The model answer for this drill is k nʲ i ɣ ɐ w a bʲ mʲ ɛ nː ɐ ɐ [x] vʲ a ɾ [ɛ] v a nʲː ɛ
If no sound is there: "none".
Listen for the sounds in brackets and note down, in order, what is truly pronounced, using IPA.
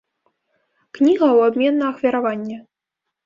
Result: x, a

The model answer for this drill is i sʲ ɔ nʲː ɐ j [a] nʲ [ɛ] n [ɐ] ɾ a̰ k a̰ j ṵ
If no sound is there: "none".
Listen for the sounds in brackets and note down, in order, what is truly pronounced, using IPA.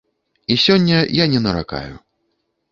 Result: a, ɛ, ɐ

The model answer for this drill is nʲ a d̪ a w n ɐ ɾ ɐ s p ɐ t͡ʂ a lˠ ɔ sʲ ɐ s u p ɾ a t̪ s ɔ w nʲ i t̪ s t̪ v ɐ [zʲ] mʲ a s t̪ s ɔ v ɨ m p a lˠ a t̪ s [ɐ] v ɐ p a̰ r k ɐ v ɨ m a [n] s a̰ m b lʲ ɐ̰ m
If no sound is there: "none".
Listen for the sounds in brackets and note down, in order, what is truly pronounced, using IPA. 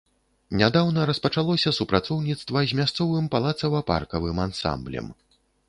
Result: zʲ, ɐ, n

